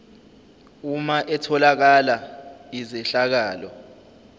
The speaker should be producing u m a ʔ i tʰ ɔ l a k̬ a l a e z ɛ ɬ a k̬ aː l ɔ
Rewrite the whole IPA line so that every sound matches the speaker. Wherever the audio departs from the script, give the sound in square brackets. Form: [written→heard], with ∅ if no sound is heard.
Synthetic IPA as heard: u m a ʔ [i→ɛ] tʰ ɔ l a k̬ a l a [e→i] z ɛ ɬ a k̬ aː l ɔ